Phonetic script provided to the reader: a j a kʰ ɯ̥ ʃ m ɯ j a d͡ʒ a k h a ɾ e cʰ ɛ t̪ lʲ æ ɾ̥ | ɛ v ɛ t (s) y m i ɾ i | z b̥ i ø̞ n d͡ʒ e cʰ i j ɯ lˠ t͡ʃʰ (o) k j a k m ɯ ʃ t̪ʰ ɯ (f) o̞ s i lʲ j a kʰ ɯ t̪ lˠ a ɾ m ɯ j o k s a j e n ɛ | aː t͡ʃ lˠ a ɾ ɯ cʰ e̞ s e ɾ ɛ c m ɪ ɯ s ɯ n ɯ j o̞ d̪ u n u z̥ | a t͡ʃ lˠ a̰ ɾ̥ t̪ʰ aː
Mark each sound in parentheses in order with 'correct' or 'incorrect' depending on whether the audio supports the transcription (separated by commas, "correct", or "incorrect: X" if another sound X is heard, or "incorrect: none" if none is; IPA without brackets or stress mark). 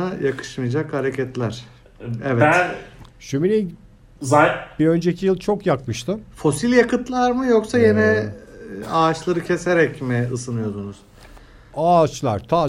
incorrect: ʃ, correct, correct